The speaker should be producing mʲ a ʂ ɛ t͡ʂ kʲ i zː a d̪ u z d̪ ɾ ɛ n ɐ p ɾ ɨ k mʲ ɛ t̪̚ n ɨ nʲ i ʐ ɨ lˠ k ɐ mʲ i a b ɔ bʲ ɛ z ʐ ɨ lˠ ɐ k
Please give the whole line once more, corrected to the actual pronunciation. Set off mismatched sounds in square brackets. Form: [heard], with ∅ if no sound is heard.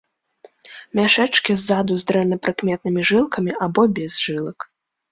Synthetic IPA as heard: mʲ a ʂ ɛ t͡ʂ kʲ i zː a d̪ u z d̪ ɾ ɛ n ɐ p ɾ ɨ k mʲ ɛ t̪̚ n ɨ [mʲ] i ʐ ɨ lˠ k ɐ mʲ i a b ɔ bʲ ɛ z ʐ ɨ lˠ ɐ k

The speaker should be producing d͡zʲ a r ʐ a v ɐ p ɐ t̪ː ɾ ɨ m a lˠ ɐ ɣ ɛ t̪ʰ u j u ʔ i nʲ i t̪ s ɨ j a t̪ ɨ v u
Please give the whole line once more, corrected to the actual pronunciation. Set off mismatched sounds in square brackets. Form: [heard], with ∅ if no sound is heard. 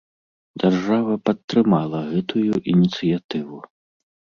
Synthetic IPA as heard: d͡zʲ a r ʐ a v ɐ p ɐ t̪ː ɾ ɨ m a lˠ ɐ ɣ ɛ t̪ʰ u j u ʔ i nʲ i t̪ s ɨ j a t̪ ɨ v u

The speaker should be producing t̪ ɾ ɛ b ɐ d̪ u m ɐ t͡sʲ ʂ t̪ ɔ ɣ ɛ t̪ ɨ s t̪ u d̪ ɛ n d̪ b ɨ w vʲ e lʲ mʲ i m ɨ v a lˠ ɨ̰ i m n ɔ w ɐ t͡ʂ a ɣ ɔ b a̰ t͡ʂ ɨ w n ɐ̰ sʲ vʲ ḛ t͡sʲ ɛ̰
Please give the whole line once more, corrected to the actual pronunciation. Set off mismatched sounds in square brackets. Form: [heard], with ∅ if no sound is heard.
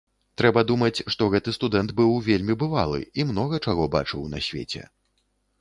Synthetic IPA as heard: t̪ ɾ ɛ b ɐ d̪ u m ɐ t͡sʲ ʂ t̪ ɔ ɣ ɛ t̪ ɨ s t̪ u d̪ ɛ n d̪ b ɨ w vʲ e lʲ mʲ i [b] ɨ v a lˠ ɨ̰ i m n ɔ [ɣ] ɐ t͡ʂ a ɣ ɔ b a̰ t͡ʂ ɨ w n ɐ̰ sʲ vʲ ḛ t͡sʲ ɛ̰

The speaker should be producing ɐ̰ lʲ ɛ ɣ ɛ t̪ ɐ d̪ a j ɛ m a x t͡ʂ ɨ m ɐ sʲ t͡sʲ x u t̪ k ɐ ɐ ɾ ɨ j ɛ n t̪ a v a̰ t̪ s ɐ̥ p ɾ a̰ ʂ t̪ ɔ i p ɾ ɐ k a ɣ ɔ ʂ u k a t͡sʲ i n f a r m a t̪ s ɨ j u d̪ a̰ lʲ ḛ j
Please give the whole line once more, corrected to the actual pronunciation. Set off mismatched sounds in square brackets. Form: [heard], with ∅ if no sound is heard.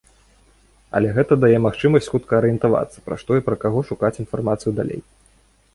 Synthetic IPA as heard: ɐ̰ lʲ ɛ ɣ ɛ t̪ ɐ d̪ a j ɛ m a x t͡ʂ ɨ m ɐ sʲ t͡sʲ x u t̪ k ɐ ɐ ɾ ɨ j ɛ n t̪ a v a̰ t̪ s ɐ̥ p ɾ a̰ ʂ t̪ ɔ i p ɾ ɐ k a ɣ ɔ ʂ u k a t͡sʲ i n f a r m a t̪ s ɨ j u d̪ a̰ lʲ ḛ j

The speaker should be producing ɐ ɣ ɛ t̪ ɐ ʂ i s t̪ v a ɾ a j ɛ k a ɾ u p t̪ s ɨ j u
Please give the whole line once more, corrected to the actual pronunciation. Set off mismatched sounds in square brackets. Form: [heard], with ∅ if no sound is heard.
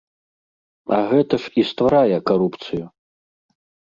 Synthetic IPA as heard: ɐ ɣ ɛ t̪ ɐ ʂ i s t̪ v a ɾ a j ɛ k a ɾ u p t̪ s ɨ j u

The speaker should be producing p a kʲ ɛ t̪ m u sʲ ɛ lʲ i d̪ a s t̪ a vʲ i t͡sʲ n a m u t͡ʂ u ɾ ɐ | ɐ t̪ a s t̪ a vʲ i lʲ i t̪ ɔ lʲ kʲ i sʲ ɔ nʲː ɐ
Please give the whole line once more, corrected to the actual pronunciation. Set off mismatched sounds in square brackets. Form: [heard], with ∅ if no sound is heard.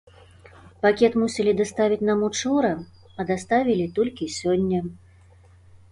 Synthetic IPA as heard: p a kʲ ɛ t̪ m u sʲ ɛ lʲ i d̪ a s t̪ a vʲ i t͡sʲ n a m u t͡ʂ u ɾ ɐ | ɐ [d̪] a s t̪ a vʲ i lʲ i t̪ ɔ lʲ kʲ i sʲ ɔ nʲː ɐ

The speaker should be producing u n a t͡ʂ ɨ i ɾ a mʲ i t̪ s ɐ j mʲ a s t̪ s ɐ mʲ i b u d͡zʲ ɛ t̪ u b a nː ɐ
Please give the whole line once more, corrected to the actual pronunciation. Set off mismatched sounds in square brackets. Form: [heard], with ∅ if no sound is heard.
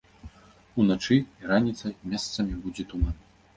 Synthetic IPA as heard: u n a t͡ʂ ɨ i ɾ a [nʲ] i t̪ s ɐ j mʲ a s t̪ s ɐ mʲ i b u d͡zʲ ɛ t̪ u [m] a [n] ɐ

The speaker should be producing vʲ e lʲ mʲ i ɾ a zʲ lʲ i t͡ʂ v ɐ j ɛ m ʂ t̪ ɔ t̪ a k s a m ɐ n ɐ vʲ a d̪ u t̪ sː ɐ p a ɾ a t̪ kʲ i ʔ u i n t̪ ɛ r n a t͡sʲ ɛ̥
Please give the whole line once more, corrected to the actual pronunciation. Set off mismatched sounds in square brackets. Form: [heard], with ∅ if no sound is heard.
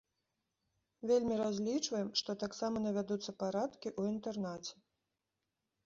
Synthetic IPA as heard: vʲ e lʲ mʲ i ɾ a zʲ lʲ i t͡ʂ v ɐ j ɛ m ʂ t̪ ɔ t̪ a k s a m ɐ n ɐ vʲ a d̪ u t̪ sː ɐ p a ɾ a t̪ kʲ i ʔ u i n t̪ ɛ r n a t͡sʲ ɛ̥

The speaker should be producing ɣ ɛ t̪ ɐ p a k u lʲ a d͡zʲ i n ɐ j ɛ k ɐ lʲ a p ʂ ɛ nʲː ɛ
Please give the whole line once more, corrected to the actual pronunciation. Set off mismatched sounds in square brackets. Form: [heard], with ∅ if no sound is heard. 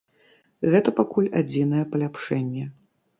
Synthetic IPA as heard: ɣ ɛ t̪ ɐ p a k u lʲ a d͡zʲ i n ɐ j ɛ [p] ɐ lʲ a p ʂ ɛ nʲː ɛ

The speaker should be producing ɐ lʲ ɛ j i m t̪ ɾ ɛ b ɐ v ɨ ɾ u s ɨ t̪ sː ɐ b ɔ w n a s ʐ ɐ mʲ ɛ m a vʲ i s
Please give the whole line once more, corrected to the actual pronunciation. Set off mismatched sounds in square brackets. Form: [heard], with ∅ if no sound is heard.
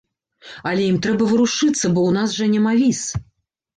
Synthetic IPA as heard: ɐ lʲ ɛ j i m t̪ ɾ ɛ b ɐ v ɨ ɾ u [ʂ] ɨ t̪ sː ɐ b ɔ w n a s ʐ ɐ [nʲ] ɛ m a vʲ i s

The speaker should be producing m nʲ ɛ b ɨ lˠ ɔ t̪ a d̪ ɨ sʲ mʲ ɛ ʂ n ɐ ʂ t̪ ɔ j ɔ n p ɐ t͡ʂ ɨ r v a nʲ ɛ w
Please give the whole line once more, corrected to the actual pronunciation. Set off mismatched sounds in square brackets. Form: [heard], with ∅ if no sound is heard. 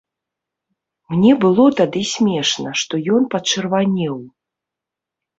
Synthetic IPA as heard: m nʲ ɛ b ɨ lˠ ɔ t̪ a d̪ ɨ sʲ mʲ ɛ ʂ n ɐ ʂ t̪ ɔ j ɔ n p ɐ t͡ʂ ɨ r v a nʲ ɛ w

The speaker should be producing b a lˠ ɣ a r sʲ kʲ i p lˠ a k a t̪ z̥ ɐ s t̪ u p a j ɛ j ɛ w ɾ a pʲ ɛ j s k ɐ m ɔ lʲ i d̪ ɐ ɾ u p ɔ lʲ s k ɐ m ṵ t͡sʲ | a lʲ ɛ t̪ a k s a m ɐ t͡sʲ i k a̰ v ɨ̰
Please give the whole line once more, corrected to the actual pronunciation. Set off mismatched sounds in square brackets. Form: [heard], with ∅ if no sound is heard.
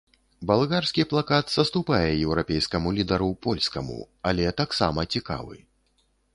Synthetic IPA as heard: b a lˠ ɣ a r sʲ kʲ i p lˠ a k a t̪ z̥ ɐ s t̪ u p a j ɛ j ɛ w ɾ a pʲ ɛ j s k ɐ m [u] lʲ i d̪ ɐ ɾ u p ɔ lʲ s k ɐ m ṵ [∅] | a lʲ ɛ t̪ a k s a m ɐ t͡sʲ i k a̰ v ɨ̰

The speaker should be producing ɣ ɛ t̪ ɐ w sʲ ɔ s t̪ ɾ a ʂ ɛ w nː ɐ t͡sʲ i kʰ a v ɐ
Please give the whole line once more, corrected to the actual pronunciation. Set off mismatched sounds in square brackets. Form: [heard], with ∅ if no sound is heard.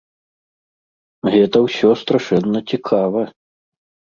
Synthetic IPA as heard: ɣ ɛ t̪ ɐ w sʲ ɔ s t̪ ɾ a ʂ ɛ [∅] nː ɐ t͡sʲ i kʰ a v ɐ

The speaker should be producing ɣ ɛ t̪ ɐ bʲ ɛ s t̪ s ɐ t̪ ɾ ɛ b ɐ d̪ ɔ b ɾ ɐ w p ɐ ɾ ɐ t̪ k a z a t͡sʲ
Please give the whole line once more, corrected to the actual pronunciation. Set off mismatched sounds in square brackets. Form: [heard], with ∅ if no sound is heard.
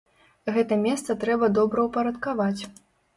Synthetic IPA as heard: ɣ ɛ t̪ ɐ [mʲ] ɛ s t̪ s ɐ t̪ ɾ ɛ b ɐ d̪ ɔ b ɾ ɐ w p ɐ ɾ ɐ t̪ k a [v] a t͡sʲ

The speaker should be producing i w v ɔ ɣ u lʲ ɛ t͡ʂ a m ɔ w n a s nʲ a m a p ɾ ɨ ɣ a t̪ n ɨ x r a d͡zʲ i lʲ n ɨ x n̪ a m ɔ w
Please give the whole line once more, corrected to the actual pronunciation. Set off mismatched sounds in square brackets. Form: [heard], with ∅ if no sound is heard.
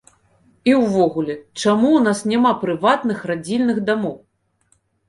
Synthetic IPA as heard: i w v ɔ ɣ u lʲ ɛ t͡ʂ a m [u] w n a s nʲ a m a p ɾ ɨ [v] a t̪ n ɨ x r a d͡zʲ i lʲ n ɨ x [d̪] a m ɔ w

